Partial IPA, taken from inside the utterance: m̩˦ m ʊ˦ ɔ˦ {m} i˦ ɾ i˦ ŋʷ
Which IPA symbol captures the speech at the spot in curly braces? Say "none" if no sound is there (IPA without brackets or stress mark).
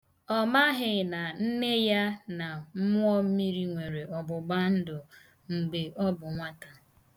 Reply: m